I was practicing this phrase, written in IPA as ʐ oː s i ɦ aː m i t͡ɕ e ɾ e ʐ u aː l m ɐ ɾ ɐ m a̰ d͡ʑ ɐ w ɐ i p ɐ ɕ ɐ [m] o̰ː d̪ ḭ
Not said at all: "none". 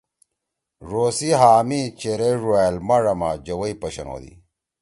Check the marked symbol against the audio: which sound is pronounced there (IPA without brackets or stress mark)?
n